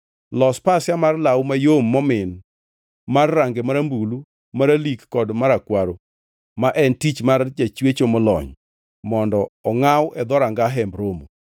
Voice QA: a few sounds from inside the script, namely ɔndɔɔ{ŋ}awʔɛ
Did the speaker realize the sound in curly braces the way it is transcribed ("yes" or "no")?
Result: yes